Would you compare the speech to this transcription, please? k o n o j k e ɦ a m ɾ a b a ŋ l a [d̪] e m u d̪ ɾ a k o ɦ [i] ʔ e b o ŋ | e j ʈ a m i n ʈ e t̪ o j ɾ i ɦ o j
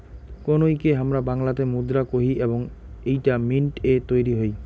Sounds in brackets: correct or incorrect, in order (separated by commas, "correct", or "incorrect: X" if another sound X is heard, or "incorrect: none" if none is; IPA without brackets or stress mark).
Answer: incorrect: t̪, correct